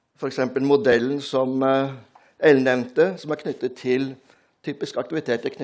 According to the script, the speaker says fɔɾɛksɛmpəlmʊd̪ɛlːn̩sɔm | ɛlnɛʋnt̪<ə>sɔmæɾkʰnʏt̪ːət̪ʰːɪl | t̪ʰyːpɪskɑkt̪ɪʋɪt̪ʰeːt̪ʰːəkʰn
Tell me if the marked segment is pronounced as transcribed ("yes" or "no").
yes